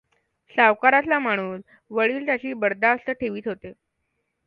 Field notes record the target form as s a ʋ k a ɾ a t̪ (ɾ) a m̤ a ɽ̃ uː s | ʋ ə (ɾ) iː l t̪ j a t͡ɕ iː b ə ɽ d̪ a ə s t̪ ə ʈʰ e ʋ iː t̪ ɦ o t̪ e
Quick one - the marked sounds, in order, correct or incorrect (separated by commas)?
incorrect, incorrect